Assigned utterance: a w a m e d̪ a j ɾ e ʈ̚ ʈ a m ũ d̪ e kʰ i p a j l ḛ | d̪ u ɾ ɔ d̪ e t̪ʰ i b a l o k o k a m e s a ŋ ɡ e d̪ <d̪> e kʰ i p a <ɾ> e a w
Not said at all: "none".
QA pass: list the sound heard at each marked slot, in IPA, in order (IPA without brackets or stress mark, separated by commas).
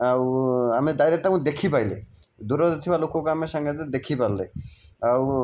d̪, l